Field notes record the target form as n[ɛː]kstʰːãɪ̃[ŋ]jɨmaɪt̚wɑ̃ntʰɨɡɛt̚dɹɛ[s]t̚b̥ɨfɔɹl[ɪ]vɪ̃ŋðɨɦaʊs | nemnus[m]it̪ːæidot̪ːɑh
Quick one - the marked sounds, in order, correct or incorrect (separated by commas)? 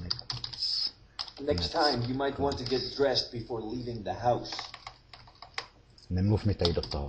incorrect, incorrect, correct, incorrect, correct